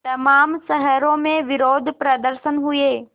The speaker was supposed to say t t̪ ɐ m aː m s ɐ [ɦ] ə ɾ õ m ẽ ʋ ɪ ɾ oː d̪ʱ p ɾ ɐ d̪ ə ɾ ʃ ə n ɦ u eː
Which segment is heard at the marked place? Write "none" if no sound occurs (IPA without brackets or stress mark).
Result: ɦ